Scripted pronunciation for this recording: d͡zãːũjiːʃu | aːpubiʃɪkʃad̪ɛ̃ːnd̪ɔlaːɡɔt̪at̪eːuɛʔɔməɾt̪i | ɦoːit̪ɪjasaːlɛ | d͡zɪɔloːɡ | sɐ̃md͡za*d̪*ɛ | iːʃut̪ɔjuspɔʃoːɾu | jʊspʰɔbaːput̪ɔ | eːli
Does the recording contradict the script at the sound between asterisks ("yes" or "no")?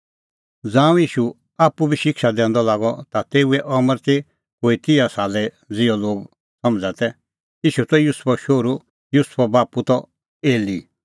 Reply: yes